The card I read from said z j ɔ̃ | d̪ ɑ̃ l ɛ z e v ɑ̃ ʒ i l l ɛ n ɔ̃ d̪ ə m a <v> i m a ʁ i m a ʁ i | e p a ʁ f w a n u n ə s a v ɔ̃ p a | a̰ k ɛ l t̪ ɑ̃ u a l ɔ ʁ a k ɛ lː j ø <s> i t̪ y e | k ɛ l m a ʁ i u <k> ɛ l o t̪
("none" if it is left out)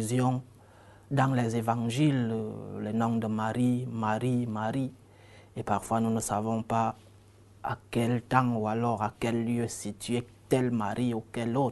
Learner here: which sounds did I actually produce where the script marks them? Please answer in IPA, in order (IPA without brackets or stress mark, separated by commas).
ʁ, s, k